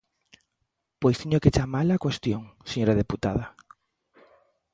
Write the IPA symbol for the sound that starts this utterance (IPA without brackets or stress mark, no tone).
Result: p